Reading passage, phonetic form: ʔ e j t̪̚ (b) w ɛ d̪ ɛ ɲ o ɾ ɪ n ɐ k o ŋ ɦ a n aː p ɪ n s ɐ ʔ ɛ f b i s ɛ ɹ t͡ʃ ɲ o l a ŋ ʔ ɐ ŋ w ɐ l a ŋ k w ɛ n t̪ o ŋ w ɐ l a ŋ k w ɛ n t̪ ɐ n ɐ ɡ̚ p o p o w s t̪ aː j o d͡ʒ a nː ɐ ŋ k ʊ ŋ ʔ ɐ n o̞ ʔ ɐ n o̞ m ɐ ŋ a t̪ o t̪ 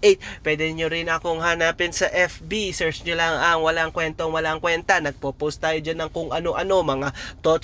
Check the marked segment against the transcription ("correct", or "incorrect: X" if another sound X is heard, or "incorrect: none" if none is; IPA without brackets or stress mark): incorrect: p